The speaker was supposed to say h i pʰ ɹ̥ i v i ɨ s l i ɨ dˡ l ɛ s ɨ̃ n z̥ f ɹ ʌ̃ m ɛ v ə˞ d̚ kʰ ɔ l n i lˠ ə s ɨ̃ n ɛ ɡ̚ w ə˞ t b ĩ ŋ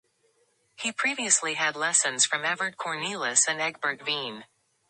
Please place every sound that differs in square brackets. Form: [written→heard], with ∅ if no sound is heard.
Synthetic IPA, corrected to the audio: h i pʰ ɹ̥ i v i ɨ s l i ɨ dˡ l ɛ s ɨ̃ n z̥ f ɹ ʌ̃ m ɛ v ə˞ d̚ kʰ ɔ [l→ɹ] n i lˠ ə s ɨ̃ n ɛ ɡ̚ [w→b] ə˞ t [b→v] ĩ [ŋ→n]